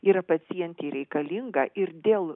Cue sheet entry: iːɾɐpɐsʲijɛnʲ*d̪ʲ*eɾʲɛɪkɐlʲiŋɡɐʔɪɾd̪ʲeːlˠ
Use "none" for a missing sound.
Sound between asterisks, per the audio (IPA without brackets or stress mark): t̪ʲ